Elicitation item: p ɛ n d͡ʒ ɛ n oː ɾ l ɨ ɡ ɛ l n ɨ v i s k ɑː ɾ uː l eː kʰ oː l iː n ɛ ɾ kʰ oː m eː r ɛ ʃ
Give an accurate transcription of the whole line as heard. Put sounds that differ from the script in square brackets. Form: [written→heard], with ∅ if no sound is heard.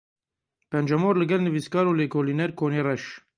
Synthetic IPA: p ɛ n d͡ʒ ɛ [n→m] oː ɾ l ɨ ɡ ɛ l n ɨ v i s k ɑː ɾ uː l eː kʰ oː l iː n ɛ ɾ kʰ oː [m→n] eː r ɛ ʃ